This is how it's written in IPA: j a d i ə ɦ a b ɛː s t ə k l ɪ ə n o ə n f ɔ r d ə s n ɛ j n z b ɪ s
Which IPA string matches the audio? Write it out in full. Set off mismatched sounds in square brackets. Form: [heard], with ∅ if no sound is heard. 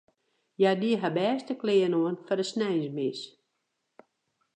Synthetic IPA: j a d i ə ɦ a b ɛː s t ə k l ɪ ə n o ə n f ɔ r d ə s n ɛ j n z [m] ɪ s

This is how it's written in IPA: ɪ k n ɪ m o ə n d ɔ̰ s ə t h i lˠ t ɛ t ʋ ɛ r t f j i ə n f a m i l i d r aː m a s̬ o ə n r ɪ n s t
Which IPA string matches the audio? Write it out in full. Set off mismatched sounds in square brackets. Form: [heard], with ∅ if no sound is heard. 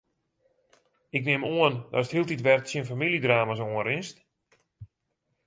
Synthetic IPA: ɪ k n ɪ m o ə n d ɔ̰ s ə t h i lˠ t [i] t ʋ ɛ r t [s] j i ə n f a m i l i d r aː m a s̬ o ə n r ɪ n s t

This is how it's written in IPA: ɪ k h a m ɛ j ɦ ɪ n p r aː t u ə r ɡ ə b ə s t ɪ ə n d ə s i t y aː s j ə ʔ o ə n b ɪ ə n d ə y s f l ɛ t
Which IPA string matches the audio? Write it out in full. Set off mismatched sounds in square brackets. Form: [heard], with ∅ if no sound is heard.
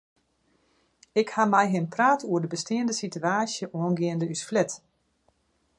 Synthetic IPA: ɪ k h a m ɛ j ɦ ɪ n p r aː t u ə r [d] ə b ə s t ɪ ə n d ə s i t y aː s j ə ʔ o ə n [ɡ] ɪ ə n d ə y s f l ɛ t

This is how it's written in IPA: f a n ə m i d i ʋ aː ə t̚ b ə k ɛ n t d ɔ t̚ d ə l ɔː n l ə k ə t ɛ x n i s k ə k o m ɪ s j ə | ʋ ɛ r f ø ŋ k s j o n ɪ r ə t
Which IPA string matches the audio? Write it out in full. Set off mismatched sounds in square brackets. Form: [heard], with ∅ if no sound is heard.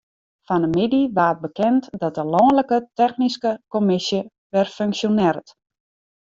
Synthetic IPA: f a n ə m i d i ʋ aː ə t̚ b ə k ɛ n t d ɔ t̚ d ə l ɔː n l ə k ə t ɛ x n i s k ə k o m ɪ s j ə | ʋ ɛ r f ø ŋ k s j o n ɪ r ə t

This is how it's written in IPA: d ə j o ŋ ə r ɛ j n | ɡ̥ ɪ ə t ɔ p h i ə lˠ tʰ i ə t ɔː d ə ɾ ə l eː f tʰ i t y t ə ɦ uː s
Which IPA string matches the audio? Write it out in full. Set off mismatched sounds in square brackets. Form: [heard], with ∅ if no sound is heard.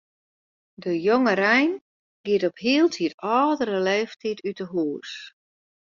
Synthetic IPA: d ə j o ŋ ə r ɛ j n | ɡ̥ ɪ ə t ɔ p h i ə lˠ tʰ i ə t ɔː d ə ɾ ə l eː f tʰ i t y t ə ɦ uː s

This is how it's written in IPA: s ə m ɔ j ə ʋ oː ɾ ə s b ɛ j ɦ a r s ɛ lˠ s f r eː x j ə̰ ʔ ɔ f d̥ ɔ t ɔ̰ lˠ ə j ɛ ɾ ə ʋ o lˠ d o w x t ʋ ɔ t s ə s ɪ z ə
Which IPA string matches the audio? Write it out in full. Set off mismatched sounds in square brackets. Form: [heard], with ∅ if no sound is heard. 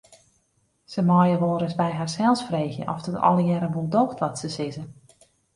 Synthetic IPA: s ə m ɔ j ə ʋ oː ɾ ə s b ɛ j ɦ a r s ɛ lˠ s f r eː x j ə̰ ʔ ɔ f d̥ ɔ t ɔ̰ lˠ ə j ɛ ɾ ə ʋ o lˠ d o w x t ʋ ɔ t s ə s ɪ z ə

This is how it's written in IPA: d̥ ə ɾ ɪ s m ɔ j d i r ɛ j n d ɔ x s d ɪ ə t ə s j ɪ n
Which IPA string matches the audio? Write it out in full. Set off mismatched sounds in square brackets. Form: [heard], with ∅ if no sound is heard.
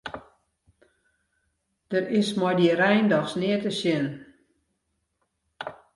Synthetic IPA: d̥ ə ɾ ɪ s m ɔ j d i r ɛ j n d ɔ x s [n] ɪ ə t ə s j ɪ n

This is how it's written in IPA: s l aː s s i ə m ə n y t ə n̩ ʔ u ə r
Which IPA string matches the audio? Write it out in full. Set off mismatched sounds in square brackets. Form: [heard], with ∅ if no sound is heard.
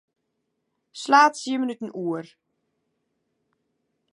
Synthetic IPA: s l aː [t] s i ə m ə n y t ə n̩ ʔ u ə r

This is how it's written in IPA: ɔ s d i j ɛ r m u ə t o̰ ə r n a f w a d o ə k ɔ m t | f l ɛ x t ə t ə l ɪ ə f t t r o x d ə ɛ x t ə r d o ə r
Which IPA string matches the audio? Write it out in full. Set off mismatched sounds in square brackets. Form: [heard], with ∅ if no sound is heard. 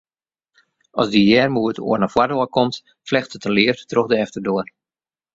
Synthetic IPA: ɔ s d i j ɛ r m u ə t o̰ ə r n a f w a d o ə k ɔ m t | f l ɛ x t ə t ə l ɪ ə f t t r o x d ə ɛ [f] t ə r d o ə r

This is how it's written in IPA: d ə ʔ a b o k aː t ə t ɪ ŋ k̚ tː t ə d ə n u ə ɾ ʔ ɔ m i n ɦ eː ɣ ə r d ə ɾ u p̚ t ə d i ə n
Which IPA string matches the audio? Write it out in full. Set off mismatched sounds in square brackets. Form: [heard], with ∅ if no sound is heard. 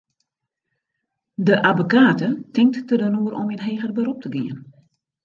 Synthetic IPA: d ə ʔ a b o k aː t ə t ɪ ŋ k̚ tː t ə d ə n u ə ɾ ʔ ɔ m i n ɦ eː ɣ ə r [b] ə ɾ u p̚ t ə [ɡ] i ə n

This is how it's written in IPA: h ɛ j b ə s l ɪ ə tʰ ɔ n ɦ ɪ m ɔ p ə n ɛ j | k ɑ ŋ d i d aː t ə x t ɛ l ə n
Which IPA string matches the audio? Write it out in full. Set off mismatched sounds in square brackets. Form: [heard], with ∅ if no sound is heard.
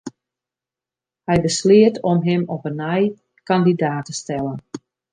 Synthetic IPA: h ɛ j b ə s l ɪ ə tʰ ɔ [m] ɦ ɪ m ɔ p ə n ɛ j | k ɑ [n] d i d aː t ə [s] t ɛ l ə n

